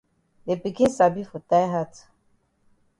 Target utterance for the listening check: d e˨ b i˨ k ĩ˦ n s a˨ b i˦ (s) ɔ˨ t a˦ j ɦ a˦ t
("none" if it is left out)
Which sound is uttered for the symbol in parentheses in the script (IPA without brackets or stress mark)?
f